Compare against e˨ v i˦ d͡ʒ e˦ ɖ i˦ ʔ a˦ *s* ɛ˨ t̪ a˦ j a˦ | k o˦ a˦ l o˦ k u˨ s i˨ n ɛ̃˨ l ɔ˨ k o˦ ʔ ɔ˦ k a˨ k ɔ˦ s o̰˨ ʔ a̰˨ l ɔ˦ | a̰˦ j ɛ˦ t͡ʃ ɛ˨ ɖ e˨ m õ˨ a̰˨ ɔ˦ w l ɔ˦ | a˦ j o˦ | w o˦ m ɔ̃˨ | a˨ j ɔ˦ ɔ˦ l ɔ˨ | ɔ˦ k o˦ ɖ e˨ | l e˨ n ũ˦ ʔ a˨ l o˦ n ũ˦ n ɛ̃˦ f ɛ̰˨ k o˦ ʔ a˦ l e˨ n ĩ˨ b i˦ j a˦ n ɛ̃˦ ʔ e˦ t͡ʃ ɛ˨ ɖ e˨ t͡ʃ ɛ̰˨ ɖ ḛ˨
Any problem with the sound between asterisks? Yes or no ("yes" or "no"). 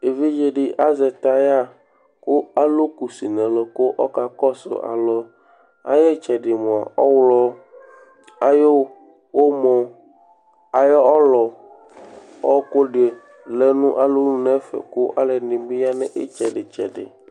yes